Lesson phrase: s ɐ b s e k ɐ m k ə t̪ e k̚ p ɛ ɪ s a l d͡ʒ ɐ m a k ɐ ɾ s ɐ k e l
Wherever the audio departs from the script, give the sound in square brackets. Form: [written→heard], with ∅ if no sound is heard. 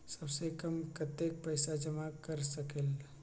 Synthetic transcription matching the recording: s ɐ b s e k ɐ m k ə t̪ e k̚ p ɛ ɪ s a [l→∅] d͡ʒ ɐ m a k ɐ ɾ s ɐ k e l